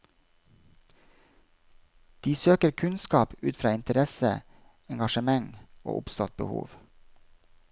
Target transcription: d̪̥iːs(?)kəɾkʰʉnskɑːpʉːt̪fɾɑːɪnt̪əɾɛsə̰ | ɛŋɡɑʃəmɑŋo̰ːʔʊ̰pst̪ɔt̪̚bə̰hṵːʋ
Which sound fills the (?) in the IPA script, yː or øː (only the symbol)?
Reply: øː